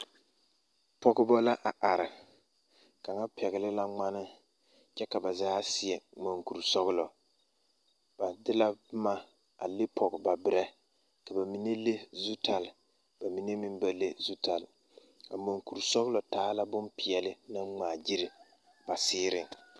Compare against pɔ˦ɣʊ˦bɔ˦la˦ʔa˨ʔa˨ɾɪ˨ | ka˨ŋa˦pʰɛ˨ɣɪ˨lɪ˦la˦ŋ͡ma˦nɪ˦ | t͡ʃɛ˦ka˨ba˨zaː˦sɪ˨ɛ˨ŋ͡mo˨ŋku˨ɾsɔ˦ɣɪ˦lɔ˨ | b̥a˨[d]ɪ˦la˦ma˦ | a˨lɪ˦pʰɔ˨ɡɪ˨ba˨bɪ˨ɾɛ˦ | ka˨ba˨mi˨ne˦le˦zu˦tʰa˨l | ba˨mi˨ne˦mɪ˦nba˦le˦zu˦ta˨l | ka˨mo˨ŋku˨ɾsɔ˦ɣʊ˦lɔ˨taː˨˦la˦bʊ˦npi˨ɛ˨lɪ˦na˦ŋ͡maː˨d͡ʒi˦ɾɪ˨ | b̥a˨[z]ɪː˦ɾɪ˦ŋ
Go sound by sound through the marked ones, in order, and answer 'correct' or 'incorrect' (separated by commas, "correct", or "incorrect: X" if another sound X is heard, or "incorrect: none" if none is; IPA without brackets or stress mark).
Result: correct, incorrect: s